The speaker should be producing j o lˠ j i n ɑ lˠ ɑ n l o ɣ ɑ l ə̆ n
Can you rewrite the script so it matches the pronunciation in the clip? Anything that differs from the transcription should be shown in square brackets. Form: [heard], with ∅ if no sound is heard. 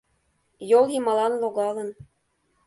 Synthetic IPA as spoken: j o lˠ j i [m] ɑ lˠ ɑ n l o ɣ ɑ l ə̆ n

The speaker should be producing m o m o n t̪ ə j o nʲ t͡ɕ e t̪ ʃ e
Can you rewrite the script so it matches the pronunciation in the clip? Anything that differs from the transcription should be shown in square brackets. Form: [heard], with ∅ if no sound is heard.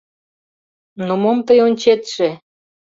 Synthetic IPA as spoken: [n] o m o [m] t̪ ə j o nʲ t͡ɕ e t̪ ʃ e

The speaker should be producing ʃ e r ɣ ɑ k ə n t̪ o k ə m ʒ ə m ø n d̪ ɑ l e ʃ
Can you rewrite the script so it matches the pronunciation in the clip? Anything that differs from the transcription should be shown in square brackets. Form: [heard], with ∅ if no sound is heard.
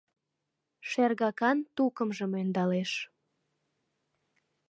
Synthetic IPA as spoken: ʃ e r ɣ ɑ k [ɑ] n t̪ [u] k ə m ʒ ə m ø n d̪ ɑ l e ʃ

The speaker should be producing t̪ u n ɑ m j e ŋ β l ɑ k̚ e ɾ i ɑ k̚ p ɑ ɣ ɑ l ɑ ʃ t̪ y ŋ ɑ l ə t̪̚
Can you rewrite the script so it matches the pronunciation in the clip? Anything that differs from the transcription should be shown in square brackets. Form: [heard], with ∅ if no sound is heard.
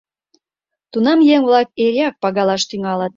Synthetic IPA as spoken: t̪ u n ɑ m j e ŋ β l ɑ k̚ e ɾ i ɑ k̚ p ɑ ɣ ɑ l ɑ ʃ t̪ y ŋ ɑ l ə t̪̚

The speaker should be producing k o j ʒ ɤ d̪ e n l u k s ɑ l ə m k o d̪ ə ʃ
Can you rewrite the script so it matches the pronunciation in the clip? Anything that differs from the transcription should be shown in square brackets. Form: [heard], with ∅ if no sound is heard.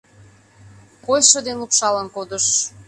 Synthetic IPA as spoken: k o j [ʃ] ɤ d̪ e n l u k [ʃ] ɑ l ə [n] k o d̪ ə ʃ

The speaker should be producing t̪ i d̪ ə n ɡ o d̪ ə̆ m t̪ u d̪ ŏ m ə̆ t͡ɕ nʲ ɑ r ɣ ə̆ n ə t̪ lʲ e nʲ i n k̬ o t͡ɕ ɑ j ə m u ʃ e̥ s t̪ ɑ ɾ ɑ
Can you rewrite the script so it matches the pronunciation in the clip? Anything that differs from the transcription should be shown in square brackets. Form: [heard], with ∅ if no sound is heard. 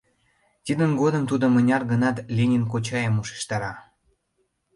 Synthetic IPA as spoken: t̪ i d̪ ə n ɡ o d̪ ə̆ m t̪ u d̪ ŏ m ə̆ [∅] nʲ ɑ r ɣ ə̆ n [ɑ] t̪ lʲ e nʲ i n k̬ o t͡ɕ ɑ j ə m u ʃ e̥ [ʃ] t̪ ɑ ɾ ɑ

